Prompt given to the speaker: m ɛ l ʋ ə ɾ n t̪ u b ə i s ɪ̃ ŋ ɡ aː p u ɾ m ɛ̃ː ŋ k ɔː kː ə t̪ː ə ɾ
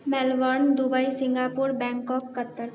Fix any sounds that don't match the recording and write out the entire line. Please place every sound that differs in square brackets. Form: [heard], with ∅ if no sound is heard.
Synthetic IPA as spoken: m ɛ l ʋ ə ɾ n [d̪] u b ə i s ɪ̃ ŋ ɡ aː p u ɾ [b] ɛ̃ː ŋ k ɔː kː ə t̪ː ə ɾ